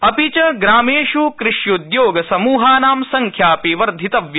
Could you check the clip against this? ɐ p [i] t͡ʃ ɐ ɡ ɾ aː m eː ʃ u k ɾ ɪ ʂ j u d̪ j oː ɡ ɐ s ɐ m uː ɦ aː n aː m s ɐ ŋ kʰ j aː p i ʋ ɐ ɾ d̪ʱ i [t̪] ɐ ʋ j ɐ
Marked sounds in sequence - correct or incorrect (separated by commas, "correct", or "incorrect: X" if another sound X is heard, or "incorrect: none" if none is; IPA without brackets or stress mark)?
correct, correct